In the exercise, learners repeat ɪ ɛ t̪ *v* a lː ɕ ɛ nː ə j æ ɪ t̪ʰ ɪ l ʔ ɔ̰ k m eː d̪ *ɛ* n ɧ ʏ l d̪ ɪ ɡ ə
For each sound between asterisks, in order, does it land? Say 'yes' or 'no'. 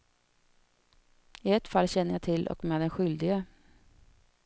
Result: no, yes

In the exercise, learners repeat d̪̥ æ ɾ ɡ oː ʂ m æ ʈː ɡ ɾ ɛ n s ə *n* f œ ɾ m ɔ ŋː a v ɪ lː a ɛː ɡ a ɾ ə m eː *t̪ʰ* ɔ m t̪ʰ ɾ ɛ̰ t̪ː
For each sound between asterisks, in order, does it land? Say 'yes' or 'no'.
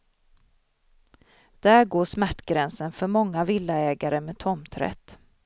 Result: yes, yes

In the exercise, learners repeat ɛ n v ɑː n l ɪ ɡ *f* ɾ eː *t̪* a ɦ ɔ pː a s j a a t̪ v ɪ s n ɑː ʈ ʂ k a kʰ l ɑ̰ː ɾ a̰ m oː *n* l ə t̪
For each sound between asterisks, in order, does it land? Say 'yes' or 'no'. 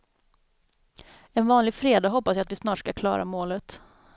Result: yes, no, no

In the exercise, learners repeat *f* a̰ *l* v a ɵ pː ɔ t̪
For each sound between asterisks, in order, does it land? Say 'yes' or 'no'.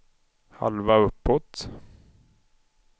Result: no, yes

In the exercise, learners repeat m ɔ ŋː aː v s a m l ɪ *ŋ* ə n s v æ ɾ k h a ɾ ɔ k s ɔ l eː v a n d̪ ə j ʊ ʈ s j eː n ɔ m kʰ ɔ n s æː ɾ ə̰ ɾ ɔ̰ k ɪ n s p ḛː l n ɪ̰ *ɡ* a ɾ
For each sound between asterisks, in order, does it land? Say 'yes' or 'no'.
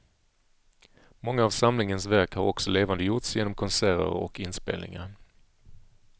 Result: yes, no

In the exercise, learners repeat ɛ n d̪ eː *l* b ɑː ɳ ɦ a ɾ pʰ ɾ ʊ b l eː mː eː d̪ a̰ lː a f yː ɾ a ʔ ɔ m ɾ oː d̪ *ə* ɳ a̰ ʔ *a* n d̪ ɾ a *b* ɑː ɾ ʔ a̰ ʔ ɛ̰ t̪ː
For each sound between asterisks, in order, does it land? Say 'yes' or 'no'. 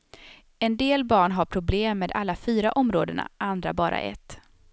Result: yes, yes, yes, yes

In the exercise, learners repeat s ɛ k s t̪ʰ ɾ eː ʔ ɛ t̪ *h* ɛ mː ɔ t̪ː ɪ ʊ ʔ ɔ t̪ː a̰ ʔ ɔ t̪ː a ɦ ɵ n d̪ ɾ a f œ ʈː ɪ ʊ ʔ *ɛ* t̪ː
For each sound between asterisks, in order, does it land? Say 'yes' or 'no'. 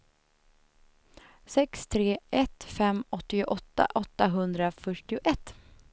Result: no, yes

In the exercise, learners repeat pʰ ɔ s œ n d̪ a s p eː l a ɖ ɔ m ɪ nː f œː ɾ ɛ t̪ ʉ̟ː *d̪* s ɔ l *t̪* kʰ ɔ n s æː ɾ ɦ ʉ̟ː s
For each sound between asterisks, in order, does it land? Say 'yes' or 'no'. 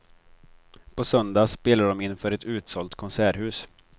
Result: no, yes

